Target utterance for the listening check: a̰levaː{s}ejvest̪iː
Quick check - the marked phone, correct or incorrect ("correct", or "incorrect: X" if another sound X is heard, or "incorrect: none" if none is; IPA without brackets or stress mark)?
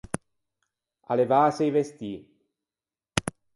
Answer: correct